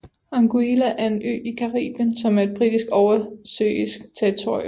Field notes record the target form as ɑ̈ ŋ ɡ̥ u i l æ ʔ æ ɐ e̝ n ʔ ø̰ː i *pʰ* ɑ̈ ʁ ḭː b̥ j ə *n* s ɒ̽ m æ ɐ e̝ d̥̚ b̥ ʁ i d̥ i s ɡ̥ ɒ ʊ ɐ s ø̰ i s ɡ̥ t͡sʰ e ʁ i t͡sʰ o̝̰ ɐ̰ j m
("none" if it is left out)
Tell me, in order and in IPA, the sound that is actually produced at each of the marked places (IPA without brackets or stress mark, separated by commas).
kʰ, n